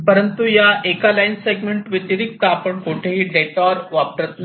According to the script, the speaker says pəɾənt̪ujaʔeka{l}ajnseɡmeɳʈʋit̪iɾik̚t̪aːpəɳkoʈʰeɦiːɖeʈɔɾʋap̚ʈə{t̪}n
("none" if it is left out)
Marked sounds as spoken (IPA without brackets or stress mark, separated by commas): l, t̪